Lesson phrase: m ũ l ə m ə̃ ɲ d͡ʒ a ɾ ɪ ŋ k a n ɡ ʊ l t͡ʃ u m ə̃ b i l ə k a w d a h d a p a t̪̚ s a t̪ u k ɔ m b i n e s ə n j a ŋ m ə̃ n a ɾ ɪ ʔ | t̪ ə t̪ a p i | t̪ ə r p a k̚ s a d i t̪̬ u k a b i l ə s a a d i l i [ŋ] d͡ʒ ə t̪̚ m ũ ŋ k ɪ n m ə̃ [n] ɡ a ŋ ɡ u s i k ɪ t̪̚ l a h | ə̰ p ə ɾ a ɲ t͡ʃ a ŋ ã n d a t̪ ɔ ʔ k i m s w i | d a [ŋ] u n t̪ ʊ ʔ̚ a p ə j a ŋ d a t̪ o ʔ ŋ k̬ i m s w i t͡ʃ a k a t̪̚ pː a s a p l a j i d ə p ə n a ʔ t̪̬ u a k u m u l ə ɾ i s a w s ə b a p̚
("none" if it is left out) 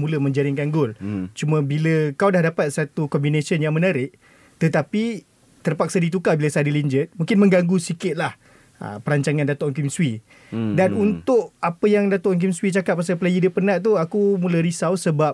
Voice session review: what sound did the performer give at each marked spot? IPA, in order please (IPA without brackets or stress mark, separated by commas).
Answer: ɲ, ŋ, n